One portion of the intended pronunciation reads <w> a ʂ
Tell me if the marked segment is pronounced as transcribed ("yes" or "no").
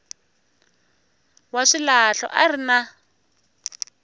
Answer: yes